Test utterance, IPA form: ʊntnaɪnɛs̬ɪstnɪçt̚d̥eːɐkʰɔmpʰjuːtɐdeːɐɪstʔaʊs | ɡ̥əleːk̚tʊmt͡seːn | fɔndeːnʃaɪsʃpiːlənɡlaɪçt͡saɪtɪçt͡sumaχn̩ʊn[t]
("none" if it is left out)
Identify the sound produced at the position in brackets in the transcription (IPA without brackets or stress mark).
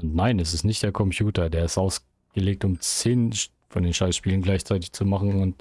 t